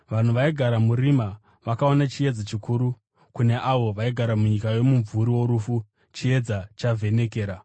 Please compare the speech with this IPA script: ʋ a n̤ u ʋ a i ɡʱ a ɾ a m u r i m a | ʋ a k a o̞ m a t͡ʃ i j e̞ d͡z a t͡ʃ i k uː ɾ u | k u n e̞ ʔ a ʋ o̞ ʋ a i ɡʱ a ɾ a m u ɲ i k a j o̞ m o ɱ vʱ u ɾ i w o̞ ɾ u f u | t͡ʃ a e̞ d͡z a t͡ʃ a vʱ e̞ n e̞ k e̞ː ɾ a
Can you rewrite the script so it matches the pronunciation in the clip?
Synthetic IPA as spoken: ʋ a n̤ u ʋ a i ɡʱ a ɾ a m u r i m a | ʋ a k a o̞ n a t͡ʃ i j e̞ d͡z a t͡ʃ i k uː ɾ u | k u n e̞ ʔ a ʋ o̞ ʋ a i ɡʱ a ɾ a m u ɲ i k a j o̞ m u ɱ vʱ u ɾ i w o̞ ɾ u f u | t͡ʃ i e̞ d͡z a t͡ʃ a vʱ e̞ n e̞ k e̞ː ɾ a